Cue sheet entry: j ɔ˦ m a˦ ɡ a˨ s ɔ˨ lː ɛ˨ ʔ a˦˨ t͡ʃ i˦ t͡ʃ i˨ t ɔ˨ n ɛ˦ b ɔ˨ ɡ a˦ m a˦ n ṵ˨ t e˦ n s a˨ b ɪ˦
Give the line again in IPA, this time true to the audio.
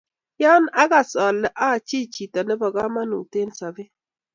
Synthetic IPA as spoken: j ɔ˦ n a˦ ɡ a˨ s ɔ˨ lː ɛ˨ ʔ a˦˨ t͡ʃ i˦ t͡ʃ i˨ t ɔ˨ n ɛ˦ b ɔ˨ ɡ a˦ m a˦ n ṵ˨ t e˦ n s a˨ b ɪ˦